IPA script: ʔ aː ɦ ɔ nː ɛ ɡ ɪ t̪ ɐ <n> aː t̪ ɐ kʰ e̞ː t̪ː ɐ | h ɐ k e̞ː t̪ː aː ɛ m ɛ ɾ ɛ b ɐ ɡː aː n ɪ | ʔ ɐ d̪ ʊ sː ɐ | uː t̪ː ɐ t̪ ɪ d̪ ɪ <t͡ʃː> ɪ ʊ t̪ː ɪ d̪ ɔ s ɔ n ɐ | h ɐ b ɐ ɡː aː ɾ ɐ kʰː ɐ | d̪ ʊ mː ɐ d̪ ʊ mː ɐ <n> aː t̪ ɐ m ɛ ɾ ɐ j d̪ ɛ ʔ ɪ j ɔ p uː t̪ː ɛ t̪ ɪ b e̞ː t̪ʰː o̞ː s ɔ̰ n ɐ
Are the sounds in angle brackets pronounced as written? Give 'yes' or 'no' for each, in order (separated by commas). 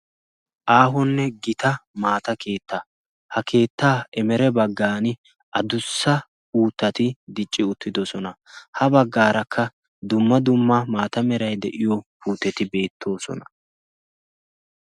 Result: no, no, no